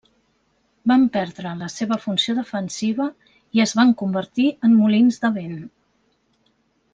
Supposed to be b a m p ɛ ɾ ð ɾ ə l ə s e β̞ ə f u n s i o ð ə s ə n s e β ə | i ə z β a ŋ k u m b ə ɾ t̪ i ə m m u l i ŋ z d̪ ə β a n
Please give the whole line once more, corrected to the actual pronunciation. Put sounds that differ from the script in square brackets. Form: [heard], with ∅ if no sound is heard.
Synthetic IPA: b a m p ɛ ɾ ð ɾ ə l ə s e β̞ ə f u n s i o ð ə [f] ə n s [i] β ə | i ə z β a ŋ k u m b ə ɾ t̪ i ə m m u l i [n] z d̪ ə β [e] n